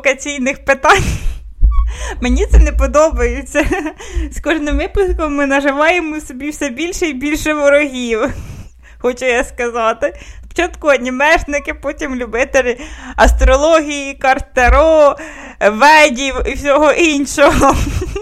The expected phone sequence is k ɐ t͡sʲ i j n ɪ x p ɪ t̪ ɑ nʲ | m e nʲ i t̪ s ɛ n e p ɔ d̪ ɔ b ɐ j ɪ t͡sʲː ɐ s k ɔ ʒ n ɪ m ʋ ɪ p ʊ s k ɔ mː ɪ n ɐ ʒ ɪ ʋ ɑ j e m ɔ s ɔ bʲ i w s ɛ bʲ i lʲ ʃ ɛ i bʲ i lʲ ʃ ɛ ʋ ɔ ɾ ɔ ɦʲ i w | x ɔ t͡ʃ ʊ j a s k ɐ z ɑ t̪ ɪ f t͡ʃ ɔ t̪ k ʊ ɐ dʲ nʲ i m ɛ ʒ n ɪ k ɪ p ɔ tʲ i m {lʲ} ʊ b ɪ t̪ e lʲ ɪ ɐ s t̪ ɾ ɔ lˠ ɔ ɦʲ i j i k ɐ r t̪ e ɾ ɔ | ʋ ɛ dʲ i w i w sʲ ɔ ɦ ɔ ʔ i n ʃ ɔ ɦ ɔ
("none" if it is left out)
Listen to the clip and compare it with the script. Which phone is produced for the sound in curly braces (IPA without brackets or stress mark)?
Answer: lʲ